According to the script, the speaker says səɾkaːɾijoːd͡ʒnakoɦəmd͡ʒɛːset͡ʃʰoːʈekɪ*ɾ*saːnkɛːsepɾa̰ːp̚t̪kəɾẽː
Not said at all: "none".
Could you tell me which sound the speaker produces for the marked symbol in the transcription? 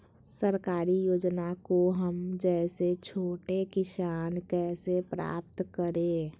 none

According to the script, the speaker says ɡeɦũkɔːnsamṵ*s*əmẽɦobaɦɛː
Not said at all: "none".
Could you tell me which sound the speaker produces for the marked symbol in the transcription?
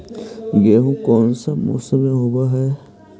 s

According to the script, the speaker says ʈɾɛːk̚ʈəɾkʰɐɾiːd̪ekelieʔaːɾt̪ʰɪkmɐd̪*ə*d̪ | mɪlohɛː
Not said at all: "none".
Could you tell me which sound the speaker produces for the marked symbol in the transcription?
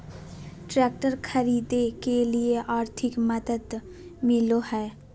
ə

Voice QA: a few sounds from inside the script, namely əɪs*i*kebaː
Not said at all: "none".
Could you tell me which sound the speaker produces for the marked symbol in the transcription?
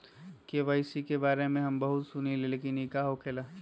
i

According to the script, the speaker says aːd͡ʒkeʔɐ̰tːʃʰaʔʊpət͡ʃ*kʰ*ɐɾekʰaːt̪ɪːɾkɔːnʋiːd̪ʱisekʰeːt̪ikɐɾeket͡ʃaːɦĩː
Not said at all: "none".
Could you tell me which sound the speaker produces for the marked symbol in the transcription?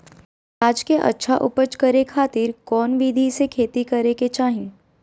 k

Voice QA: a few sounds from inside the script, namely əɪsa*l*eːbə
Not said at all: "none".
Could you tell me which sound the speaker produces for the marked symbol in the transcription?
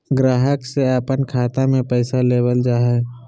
l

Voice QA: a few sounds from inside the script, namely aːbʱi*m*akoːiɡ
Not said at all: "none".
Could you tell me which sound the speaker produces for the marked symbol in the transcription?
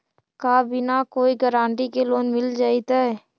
n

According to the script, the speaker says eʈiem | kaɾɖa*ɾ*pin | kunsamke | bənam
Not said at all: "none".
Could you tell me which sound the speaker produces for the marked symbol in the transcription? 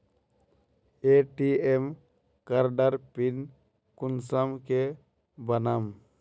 ɾ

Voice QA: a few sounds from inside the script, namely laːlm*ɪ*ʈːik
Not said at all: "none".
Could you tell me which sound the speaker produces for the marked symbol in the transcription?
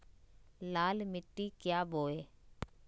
ɪ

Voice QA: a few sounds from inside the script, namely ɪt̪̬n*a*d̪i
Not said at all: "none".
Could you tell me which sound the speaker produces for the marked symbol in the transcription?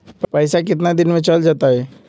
a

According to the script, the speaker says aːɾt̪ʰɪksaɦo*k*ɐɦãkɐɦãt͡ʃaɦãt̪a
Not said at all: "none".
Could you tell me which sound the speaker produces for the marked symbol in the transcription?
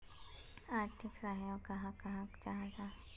k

